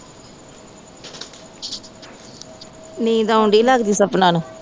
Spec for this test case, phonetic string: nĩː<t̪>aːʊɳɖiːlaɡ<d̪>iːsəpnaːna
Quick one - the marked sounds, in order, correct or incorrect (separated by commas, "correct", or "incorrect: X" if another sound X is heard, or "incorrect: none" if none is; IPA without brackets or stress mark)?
incorrect: d̪, correct